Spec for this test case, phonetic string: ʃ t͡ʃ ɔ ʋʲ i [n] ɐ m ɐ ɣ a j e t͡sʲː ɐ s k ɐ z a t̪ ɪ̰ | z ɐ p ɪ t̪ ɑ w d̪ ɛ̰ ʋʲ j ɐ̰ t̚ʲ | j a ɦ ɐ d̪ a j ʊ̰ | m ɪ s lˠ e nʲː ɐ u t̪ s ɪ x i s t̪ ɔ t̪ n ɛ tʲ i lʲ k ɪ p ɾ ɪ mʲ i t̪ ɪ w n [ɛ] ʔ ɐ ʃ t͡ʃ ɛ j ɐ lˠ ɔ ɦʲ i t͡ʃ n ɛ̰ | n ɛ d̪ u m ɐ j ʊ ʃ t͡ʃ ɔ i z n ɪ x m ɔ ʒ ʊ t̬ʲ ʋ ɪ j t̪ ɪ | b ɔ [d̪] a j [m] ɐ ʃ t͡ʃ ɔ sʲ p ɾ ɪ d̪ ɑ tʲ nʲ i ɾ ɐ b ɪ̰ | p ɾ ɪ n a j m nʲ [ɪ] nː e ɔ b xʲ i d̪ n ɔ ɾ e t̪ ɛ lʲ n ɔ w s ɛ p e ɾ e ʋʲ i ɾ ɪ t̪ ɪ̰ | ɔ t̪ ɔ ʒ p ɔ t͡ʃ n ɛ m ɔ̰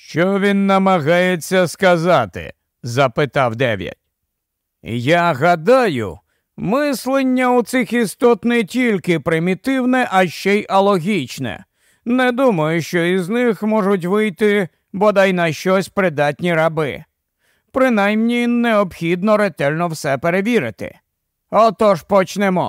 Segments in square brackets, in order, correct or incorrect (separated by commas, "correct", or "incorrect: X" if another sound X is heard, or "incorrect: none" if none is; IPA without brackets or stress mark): incorrect: nː, correct, correct, incorrect: n, incorrect: i